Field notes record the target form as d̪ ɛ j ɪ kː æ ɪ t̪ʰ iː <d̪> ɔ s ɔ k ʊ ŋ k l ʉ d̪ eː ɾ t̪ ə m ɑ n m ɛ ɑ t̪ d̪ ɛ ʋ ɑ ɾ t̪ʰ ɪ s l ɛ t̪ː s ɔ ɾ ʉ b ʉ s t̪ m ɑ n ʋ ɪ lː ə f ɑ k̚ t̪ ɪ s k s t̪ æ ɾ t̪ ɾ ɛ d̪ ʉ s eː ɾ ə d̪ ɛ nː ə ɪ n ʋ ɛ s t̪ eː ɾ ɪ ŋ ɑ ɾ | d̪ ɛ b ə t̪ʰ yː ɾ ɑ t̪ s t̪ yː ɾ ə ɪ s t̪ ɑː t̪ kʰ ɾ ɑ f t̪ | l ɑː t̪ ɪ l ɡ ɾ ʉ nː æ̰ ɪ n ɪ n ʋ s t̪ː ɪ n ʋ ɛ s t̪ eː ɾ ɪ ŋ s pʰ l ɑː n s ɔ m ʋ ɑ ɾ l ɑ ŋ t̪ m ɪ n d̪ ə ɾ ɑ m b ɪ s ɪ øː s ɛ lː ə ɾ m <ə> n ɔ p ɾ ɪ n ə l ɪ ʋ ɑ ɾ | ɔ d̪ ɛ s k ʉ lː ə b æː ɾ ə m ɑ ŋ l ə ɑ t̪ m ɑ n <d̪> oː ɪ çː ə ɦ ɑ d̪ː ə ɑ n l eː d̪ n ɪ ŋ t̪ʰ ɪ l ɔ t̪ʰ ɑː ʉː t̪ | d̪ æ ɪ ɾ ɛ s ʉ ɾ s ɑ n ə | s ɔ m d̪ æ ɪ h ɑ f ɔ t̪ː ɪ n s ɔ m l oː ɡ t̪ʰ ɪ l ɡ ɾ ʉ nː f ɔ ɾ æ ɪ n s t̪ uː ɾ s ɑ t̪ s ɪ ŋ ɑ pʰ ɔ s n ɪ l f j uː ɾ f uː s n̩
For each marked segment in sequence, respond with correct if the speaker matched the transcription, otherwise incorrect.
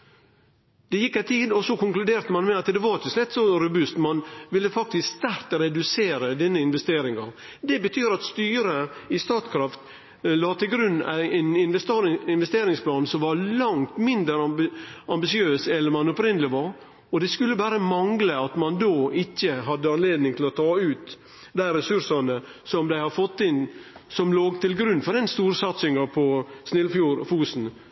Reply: correct, incorrect, correct

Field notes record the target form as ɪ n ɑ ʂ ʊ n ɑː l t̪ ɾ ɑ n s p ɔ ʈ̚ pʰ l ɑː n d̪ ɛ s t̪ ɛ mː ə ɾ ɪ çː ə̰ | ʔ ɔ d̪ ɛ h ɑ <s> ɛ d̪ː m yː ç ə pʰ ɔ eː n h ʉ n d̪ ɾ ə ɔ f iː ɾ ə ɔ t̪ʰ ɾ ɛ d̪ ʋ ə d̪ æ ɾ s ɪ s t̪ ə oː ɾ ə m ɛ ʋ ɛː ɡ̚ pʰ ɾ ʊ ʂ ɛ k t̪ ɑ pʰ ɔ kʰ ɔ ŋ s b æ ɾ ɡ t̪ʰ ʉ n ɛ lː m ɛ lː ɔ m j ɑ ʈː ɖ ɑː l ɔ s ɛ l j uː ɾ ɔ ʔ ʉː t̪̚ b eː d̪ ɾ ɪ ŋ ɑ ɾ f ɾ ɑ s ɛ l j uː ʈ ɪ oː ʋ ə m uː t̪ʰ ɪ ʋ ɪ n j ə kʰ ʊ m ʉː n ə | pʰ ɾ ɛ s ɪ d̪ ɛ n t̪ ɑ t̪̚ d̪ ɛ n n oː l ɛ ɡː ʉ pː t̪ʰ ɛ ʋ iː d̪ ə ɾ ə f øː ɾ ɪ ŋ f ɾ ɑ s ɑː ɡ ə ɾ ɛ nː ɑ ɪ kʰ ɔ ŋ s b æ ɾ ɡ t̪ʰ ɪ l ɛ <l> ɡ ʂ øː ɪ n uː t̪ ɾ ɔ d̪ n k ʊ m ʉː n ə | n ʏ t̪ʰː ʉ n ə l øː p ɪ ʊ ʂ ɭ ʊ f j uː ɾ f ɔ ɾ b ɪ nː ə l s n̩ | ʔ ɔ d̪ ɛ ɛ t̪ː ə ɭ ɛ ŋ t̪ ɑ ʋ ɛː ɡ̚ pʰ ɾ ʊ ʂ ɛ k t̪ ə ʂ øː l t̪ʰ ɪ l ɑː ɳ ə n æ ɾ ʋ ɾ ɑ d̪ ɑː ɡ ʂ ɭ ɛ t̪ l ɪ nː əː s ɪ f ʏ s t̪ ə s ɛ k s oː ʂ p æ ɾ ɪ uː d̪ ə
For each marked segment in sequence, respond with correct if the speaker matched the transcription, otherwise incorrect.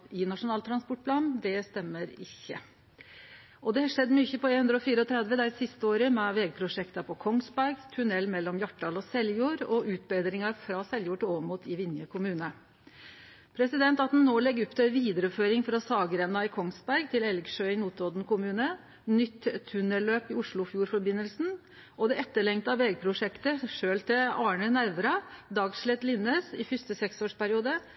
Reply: incorrect, correct

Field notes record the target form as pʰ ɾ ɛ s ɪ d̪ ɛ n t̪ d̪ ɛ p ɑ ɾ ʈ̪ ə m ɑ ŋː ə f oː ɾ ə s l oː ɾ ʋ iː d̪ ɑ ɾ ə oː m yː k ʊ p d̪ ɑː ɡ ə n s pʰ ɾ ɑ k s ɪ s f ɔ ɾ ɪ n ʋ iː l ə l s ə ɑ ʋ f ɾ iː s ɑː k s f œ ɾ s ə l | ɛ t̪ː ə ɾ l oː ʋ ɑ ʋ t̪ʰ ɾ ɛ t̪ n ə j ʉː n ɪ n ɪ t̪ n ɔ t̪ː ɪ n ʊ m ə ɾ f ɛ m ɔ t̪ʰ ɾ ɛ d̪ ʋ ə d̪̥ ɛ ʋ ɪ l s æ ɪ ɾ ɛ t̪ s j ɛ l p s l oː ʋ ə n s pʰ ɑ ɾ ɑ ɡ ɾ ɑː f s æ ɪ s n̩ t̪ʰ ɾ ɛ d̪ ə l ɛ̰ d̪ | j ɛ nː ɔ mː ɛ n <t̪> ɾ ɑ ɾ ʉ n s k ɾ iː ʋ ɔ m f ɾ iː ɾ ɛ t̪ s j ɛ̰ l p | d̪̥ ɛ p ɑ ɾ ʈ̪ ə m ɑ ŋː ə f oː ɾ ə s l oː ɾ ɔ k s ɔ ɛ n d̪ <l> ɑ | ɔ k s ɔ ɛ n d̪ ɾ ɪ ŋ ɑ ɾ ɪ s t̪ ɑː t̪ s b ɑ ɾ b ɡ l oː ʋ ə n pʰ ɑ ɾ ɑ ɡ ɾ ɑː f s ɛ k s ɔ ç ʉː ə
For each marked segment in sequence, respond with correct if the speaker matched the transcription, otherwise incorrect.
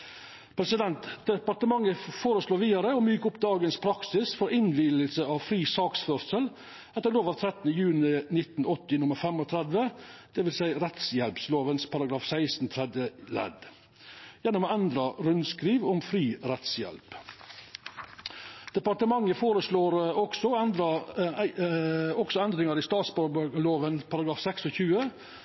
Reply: incorrect, incorrect

